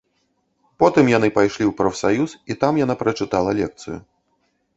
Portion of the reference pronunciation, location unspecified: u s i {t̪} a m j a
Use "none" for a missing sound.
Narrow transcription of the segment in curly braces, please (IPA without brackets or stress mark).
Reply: t̪